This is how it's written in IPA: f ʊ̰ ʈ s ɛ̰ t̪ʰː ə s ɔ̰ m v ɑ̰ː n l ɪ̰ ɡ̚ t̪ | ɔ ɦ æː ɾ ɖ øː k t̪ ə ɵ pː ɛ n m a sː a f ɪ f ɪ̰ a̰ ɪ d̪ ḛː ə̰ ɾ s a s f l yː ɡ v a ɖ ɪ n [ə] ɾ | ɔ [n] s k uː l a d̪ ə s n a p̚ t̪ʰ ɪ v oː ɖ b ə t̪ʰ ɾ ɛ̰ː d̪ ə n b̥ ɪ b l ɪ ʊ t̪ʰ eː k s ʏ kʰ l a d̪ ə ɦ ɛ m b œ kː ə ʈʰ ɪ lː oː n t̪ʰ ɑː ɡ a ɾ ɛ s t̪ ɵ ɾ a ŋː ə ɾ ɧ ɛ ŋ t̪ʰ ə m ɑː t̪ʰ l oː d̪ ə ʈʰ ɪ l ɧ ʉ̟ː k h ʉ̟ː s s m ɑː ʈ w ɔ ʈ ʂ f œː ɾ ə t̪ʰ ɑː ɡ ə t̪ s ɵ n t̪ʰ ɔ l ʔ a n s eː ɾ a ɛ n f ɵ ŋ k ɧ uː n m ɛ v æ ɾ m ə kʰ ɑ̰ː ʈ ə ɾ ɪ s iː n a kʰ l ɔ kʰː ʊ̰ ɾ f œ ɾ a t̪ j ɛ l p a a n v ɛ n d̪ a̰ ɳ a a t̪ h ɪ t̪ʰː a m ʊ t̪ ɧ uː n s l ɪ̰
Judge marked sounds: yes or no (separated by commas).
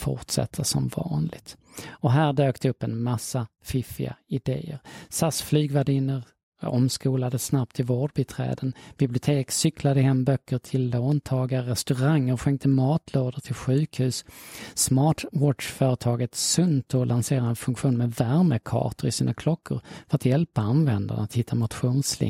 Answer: yes, no